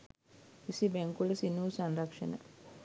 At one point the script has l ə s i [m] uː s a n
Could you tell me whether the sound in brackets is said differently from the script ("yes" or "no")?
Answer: yes